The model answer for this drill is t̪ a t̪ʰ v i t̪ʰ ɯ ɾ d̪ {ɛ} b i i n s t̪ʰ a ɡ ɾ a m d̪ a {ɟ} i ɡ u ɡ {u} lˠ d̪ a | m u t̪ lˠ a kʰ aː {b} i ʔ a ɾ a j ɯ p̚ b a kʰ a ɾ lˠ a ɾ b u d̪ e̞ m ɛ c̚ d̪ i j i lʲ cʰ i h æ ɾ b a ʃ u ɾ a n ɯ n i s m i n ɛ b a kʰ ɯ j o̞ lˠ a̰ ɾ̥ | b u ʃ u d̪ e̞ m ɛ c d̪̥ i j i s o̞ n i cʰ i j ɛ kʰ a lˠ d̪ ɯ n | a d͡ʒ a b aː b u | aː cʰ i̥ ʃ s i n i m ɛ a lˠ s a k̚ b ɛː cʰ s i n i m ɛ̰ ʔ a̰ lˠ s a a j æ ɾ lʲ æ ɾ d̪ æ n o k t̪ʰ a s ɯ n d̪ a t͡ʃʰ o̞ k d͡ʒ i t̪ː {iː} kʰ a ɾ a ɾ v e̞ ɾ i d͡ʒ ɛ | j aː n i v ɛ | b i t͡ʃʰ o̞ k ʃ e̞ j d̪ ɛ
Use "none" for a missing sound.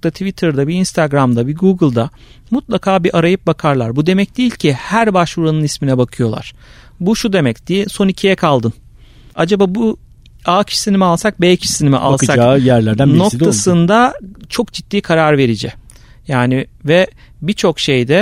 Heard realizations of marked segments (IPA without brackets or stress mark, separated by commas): a, b, ɯ, b, iː